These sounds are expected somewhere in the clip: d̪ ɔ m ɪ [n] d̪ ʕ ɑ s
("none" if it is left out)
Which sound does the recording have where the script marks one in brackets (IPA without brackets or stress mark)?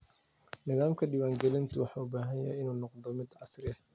none